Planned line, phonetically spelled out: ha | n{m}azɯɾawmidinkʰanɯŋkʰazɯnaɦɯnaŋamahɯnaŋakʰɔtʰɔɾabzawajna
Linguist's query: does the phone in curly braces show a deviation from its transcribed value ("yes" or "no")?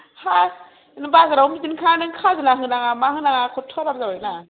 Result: yes